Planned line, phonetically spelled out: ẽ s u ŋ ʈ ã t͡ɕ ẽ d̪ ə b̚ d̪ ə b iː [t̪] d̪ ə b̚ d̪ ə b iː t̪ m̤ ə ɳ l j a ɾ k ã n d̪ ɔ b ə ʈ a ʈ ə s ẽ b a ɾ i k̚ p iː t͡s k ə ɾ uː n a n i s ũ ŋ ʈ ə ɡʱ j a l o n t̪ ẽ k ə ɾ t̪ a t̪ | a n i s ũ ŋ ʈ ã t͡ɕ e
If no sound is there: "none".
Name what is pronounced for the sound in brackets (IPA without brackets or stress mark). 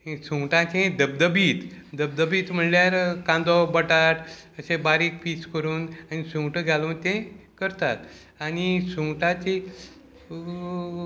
t̪